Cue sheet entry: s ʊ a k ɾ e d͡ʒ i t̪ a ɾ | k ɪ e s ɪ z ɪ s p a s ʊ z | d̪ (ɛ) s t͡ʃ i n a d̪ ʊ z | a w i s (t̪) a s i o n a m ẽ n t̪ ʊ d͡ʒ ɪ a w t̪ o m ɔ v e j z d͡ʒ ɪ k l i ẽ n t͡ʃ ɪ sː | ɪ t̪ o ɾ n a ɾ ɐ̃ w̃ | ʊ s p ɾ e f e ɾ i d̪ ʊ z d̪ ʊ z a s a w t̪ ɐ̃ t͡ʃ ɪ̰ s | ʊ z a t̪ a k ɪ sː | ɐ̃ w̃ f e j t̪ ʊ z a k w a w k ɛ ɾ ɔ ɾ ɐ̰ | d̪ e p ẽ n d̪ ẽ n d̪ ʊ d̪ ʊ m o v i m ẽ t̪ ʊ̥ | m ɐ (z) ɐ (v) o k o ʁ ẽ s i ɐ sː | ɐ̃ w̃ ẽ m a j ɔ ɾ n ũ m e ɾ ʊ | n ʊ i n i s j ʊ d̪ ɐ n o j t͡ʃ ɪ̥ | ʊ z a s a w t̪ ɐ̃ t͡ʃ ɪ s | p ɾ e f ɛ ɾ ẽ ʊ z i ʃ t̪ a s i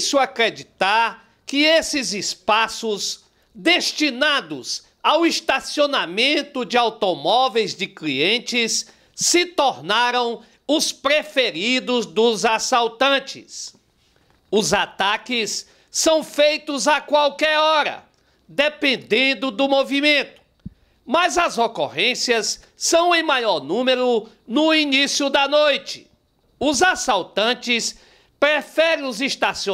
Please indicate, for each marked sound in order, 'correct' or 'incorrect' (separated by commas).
incorrect, correct, correct, incorrect